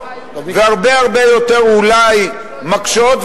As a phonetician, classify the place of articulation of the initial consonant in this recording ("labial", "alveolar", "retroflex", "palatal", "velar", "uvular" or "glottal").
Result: labial